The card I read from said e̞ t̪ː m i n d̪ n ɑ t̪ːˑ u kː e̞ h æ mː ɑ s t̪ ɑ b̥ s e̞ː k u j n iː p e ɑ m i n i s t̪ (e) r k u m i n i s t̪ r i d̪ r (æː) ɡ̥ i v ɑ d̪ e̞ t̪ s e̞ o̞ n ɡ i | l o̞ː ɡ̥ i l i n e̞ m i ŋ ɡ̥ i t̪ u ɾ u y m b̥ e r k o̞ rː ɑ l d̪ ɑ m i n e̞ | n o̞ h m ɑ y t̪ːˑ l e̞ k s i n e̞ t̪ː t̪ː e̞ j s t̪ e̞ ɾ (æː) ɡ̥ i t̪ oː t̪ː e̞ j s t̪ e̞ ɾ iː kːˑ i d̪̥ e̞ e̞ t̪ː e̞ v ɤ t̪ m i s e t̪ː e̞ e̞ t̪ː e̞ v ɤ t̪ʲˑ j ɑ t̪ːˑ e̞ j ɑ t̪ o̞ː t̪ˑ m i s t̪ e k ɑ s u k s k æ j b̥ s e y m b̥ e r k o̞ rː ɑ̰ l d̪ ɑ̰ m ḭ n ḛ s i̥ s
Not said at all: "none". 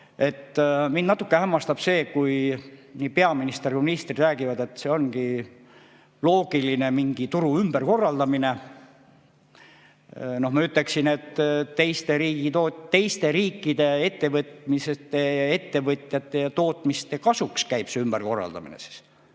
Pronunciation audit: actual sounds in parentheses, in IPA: e, æː, iː

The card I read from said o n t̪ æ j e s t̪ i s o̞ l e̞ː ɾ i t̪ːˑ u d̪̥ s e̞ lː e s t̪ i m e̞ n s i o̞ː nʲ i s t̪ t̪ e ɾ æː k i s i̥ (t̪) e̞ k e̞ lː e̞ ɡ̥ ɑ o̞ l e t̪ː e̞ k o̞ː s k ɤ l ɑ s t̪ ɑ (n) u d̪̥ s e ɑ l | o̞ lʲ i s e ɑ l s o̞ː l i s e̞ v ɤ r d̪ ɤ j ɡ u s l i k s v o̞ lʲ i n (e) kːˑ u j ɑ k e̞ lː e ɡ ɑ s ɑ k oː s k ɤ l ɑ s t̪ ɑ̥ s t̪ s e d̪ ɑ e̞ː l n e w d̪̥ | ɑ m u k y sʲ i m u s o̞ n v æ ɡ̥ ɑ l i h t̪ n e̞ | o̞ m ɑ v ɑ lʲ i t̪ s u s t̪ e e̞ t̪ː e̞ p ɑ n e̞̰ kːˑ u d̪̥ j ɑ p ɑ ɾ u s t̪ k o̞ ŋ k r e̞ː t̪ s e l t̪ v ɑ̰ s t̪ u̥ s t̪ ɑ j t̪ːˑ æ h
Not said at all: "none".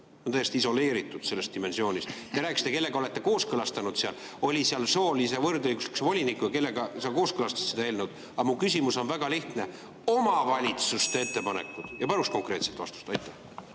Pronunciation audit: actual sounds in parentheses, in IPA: t̪, n, i

